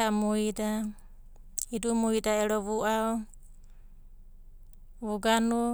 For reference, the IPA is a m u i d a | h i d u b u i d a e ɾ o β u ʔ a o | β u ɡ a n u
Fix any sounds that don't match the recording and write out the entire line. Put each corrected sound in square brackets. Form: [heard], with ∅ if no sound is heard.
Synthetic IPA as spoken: a m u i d a | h i d u [m] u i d a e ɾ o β u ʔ a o | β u ɡ a n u